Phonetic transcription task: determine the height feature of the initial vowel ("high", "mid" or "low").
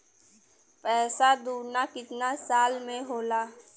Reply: mid